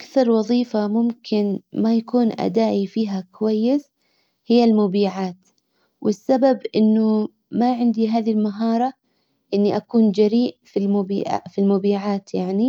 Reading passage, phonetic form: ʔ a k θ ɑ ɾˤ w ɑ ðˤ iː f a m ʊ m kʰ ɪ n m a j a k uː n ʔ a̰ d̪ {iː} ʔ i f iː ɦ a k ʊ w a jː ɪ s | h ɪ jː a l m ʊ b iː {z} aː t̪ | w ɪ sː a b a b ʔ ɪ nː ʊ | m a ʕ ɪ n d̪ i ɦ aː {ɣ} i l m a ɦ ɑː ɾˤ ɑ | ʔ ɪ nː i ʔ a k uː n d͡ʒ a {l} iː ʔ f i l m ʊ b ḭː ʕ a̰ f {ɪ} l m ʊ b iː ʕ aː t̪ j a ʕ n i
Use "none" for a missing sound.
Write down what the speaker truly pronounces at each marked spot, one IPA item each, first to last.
aː, ʕ, ð, ɾ, i

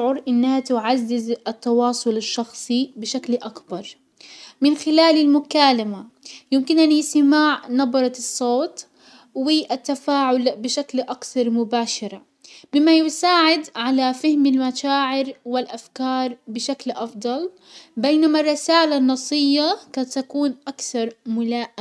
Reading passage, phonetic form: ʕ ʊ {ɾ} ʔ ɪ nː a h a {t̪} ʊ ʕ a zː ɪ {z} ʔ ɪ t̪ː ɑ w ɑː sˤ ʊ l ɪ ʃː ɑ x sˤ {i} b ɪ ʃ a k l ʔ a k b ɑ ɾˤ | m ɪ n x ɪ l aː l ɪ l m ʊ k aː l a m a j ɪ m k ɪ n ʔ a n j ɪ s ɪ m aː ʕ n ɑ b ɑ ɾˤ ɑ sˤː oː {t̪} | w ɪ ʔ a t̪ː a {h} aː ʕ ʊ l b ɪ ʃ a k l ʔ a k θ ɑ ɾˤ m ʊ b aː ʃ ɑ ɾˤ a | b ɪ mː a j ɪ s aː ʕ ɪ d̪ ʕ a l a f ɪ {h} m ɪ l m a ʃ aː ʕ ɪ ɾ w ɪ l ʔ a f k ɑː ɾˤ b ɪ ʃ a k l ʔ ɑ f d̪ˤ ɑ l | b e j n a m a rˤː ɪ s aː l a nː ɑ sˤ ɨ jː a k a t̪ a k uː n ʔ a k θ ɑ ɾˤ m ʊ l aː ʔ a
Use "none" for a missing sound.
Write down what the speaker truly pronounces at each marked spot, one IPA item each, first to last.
ɾ, t̪, z, i, t̪, f, h

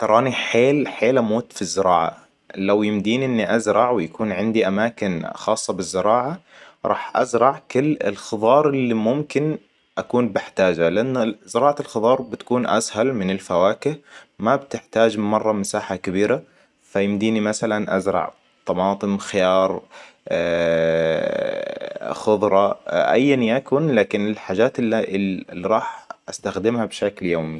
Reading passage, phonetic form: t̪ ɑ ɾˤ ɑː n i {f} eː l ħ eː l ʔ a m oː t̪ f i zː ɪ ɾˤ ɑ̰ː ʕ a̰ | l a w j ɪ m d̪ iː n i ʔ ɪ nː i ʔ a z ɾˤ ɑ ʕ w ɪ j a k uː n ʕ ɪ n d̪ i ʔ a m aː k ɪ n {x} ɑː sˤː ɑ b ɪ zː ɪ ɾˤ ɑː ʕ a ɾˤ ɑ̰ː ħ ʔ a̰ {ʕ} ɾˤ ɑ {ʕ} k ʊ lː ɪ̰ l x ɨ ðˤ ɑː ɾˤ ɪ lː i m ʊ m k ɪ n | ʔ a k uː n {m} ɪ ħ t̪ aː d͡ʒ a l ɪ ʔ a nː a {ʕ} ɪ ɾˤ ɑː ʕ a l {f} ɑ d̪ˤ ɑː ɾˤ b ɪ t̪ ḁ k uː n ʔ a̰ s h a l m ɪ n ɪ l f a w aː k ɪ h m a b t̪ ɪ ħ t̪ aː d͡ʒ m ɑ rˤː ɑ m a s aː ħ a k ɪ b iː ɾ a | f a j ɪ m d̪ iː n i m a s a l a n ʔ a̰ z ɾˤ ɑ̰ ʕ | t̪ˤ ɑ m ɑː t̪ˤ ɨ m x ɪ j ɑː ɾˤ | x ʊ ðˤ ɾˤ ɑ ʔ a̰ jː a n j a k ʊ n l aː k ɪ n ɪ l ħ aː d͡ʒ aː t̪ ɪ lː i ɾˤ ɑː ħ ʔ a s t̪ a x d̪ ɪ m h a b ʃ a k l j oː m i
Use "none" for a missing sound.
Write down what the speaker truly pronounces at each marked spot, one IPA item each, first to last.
ħ, x, z, ʕ, b, z, x

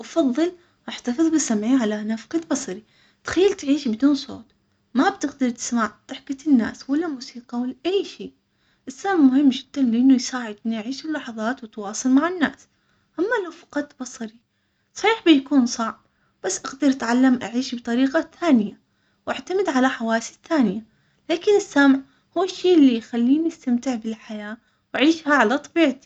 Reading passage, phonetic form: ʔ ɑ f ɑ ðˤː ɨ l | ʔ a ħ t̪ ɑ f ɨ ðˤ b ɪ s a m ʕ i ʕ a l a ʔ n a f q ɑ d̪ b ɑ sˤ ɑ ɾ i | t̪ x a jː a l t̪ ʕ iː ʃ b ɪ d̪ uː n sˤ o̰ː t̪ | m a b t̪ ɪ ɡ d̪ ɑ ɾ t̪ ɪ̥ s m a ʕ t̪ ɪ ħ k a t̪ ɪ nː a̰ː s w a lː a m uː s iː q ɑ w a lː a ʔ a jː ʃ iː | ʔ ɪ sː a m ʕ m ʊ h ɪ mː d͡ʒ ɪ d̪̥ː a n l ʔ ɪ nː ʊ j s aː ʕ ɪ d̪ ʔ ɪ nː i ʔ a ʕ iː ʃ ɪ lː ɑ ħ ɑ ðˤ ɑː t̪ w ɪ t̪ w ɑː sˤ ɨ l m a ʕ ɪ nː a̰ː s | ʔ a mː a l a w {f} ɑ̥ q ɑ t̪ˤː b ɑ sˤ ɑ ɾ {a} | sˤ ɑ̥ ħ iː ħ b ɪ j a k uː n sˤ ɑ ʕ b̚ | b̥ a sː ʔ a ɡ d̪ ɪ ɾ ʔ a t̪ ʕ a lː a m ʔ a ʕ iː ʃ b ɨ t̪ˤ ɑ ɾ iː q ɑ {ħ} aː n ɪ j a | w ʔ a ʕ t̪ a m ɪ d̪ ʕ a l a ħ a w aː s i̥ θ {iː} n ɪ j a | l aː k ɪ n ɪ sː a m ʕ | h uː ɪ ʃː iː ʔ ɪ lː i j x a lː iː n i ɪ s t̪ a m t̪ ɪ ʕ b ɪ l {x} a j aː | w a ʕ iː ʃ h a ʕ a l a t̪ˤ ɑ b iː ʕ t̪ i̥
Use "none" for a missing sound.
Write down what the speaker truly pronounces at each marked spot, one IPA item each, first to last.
f, i, θ, aː, ħ

